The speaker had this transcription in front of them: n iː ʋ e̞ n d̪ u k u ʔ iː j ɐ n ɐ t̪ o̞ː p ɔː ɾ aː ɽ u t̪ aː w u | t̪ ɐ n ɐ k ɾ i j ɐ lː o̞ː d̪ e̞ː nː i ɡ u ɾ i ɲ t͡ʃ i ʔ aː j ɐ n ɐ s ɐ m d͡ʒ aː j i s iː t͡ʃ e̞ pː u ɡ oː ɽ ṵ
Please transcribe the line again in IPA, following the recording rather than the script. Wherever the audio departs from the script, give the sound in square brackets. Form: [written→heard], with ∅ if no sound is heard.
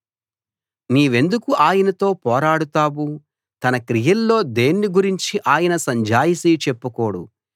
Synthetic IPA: n iː ʋ e̞ n d̪ u k u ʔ [iː→aː] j ɐ n ɐ t̪ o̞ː p ɔː ɾ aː ɽ u t̪ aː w u | t̪ ɐ n ɐ k ɾ i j ɐ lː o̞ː d̪ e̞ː nː i ɡ u ɾ i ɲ t͡ʃ i ʔ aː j ɐ n ɐ s ɐ [m→ɲ] d͡ʒ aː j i s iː t͡ʃ e̞ pː u [ɡ→k] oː ɽ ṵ

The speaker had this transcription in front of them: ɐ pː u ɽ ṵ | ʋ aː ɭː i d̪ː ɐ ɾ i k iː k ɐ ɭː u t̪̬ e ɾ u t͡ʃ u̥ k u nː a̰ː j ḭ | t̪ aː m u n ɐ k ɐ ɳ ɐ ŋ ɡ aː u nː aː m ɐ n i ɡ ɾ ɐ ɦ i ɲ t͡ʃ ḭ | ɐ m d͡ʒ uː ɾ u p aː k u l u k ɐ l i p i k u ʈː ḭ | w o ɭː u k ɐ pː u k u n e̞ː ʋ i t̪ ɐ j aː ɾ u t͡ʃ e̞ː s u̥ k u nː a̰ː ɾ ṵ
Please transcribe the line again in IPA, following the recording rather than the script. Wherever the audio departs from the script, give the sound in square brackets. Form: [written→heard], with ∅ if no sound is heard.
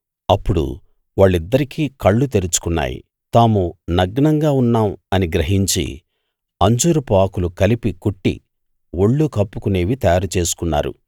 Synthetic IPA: ɐ pː u ɽ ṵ | ʋ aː ɭː i d̪ː ɐ ɾ i k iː k ɐ ɭː u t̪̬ e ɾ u t͡ʃ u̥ k u nː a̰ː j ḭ | t̪ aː m u n ɐ [k→ɡ] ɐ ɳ ɐ ŋ ɡ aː u nː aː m ɐ n i ɡ ɾ ɐ ɦ i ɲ t͡ʃ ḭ | ɐ [m→ɲ] d͡ʒ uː ɾ u p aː k u l u k ɐ l i p i k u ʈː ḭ | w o ɭː u k ɐ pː u k u n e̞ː ʋ i t̪ ɐ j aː ɾ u t͡ʃ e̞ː s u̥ k u nː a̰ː ɾ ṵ

